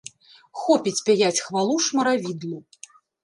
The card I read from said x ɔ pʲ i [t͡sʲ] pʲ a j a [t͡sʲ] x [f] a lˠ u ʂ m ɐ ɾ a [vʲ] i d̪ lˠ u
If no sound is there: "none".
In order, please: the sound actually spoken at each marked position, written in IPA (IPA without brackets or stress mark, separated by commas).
t͡sʲ, t͡sʲ, v, vʲ